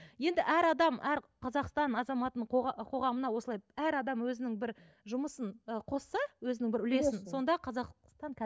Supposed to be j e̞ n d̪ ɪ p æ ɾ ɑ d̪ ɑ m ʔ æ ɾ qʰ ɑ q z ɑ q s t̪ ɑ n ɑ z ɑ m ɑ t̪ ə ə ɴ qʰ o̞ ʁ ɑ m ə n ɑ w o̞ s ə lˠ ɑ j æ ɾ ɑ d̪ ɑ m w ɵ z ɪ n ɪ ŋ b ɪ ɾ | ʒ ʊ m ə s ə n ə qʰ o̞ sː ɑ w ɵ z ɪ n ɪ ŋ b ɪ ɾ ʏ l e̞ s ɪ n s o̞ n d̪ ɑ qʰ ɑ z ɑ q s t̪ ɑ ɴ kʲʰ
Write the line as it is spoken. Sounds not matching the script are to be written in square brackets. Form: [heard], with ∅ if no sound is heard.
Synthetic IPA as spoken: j e̞ n d̪ ɪ [ʔ] æ ɾ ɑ d̪ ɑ m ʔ æ ɾ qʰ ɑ [∅] z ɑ q s t̪ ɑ n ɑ z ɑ m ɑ t̪ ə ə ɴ qʰ o̞ ʁ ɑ m ə n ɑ w o̞ s ə lˠ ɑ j æ ɾ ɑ d̪ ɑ m w ɵ z ɪ n ɪ ŋ b ɪ ɾ | ʒ ʊ m ə s ə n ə qʰ o̞ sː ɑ w ɵ z ɪ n ɪ ŋ b ɪ ɾ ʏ l e̞ s ɪ n s o̞ n d̪ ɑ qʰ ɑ z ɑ q s t̪ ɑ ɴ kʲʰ